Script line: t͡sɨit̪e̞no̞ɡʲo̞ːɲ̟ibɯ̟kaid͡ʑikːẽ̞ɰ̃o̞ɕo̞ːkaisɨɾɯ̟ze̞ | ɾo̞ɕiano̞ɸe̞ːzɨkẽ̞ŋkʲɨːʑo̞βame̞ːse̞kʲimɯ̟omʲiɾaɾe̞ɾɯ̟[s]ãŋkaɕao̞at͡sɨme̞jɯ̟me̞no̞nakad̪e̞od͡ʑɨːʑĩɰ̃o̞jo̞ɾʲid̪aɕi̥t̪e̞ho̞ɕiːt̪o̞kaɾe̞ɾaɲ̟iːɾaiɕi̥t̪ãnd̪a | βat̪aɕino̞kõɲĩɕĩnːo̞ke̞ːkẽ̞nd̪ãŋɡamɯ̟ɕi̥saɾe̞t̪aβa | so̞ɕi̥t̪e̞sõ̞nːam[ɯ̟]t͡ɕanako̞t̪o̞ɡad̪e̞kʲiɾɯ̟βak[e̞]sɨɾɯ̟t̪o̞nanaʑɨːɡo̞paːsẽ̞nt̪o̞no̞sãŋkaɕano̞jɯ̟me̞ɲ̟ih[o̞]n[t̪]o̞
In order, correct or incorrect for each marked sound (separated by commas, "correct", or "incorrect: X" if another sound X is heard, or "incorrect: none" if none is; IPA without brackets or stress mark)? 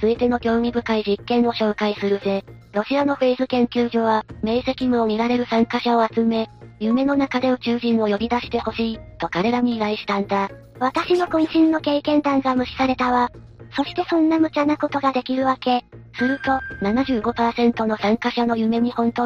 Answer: correct, correct, correct, incorrect: õ̞, correct